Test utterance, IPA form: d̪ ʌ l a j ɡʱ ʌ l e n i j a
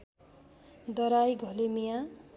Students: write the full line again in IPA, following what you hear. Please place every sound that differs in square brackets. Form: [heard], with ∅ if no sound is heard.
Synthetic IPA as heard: d̪ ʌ [ɾ] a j ɡʱ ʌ l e [m] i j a